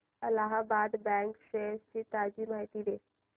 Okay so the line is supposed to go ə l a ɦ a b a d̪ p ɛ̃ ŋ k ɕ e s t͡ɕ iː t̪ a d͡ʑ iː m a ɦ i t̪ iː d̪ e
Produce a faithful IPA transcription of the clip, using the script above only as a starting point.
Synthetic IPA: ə l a ɦ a b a d̪ b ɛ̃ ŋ k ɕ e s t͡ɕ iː t̪ a d͡ʑ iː m a ɦ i t̪ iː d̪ e